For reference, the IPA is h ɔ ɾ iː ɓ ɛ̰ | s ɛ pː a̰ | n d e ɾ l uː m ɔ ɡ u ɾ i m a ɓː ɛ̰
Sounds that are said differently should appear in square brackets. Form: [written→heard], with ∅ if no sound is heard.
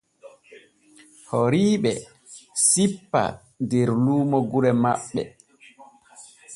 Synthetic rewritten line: h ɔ ɾ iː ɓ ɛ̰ | s [ɛ→i] pː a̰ | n d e ɾ l uː m ɔ ɡ u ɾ [i→ɛ] m a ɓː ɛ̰